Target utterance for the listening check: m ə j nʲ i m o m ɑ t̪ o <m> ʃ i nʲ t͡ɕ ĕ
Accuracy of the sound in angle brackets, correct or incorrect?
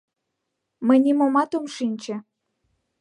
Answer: correct